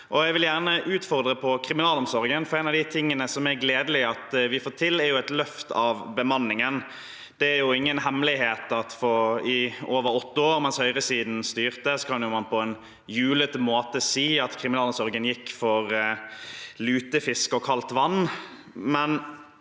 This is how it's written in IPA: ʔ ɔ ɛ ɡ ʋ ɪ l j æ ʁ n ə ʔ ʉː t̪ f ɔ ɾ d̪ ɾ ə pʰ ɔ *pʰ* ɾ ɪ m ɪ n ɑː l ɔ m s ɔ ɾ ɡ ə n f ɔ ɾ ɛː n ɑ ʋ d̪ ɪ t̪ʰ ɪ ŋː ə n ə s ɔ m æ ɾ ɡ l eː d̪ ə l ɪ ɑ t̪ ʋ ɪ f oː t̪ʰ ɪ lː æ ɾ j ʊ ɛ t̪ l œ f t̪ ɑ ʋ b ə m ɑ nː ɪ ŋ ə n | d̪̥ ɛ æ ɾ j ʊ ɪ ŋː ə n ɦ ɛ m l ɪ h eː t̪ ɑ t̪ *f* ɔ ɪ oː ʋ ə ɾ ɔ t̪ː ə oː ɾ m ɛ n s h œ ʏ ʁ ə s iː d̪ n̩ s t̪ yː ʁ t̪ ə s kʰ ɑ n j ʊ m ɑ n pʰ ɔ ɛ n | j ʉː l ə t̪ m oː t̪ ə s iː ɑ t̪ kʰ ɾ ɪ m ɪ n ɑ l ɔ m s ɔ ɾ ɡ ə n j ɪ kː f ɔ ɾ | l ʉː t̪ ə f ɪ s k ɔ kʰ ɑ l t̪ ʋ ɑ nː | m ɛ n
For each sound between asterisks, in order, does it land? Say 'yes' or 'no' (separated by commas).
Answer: no, yes